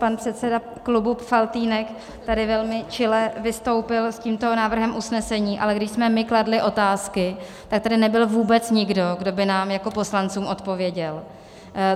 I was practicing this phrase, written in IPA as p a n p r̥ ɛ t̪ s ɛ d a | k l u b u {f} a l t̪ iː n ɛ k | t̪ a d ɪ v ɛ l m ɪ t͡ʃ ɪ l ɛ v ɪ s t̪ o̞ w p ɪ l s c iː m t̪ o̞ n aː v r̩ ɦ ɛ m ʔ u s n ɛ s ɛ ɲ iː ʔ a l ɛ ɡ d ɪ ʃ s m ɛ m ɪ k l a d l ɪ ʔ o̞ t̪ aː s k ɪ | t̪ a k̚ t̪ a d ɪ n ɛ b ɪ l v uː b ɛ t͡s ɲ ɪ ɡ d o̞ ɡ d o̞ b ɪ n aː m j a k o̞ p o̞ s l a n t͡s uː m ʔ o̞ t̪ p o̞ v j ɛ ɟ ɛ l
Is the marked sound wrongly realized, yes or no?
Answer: no